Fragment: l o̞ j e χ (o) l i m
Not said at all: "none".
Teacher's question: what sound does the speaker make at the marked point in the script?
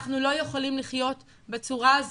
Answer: o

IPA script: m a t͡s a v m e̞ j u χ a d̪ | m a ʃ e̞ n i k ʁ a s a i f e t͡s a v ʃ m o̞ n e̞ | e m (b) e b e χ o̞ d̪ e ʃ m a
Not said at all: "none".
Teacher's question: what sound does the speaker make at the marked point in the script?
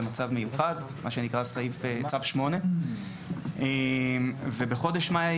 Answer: v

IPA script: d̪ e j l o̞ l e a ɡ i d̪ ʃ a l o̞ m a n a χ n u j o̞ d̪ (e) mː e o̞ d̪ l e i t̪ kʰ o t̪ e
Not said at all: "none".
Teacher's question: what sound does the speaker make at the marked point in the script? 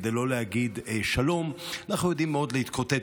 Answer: i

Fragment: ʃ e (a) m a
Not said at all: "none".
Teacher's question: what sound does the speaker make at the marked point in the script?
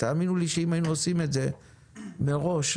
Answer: i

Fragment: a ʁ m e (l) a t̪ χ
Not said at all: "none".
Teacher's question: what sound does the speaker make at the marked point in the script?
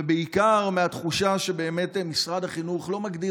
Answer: none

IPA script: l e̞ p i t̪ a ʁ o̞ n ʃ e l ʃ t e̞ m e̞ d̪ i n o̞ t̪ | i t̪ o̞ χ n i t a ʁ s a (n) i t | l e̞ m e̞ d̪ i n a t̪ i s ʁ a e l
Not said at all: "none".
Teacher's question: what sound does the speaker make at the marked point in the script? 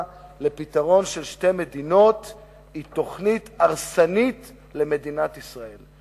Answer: n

